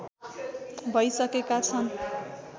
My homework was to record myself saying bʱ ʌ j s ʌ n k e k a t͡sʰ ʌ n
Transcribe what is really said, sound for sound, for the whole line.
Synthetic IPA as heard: bʱ ʌ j s ʌ k e k a t͡sʰ ʌ n

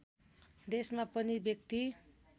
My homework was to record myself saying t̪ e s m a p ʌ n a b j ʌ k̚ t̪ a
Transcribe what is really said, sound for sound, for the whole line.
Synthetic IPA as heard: d̪ e s m a p ʌ n i b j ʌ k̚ t̪ i

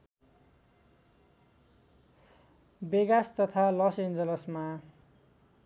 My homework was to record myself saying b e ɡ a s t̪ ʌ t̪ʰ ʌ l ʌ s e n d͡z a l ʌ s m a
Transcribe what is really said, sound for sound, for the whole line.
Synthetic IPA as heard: b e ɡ a s t̪ ʌ t̪ʰ a l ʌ s e n d͡z ʌ l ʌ s m a

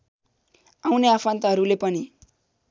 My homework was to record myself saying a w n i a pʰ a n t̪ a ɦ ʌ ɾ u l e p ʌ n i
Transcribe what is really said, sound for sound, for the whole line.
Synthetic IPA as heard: a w n e a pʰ a n t̪ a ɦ ʌ ɾ u l e p ʌ n i

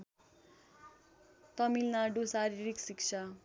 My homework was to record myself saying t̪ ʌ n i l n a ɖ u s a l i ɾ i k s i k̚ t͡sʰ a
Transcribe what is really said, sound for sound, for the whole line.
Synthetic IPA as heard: t̪ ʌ m i l n a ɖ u s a ɾ i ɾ i k s i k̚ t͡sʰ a

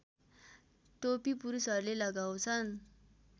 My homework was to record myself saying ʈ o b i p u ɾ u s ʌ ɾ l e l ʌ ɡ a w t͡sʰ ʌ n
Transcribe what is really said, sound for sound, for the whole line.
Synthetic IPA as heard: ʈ o p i p u ɾ u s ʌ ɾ l e l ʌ ɡ a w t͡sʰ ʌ n

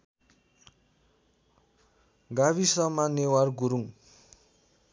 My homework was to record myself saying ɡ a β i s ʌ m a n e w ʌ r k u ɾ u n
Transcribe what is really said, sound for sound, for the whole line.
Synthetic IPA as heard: ɡ a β i s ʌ m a n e w a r ɡ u ɾ u ŋ

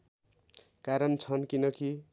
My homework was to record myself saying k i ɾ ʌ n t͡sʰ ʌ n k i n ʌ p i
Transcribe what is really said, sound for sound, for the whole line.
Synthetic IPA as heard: k a ɾ ʌ n t͡sʰ ʌ n k i n ʌ k i

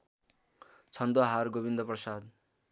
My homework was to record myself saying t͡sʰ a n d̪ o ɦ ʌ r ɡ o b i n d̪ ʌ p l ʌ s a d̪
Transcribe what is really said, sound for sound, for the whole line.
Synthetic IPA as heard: t͡sʰ ʌ n d̪ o ɦ a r ɡ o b i n d̪ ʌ p r ʌ s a d̪

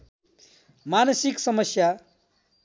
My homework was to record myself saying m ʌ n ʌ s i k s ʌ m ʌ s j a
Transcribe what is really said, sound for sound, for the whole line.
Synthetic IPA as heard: m a n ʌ s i k s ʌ m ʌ s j a

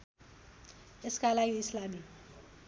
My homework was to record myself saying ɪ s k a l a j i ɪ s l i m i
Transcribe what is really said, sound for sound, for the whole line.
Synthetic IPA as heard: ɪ s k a l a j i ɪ s l a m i

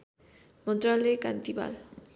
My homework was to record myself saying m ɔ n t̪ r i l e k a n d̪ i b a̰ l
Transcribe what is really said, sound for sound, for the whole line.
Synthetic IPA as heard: m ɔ n t̪ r a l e k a n t̪ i b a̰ l

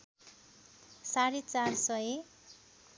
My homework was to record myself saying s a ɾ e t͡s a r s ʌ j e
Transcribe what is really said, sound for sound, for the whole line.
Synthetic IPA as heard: s a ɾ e t͡s a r s ʌ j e

